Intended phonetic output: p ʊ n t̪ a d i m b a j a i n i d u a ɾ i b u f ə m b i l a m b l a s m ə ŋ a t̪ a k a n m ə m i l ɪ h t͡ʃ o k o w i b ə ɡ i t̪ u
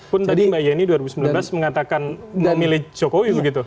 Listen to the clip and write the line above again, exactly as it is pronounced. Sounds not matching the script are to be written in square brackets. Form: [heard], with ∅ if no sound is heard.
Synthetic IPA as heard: p ʊ n t̪ a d i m b a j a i n i d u a ɾ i b u [s] ə m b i l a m b l a s m ə ŋ a t̪ a k a n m ə m i l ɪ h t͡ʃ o k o w i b ə ɡ i t̪ u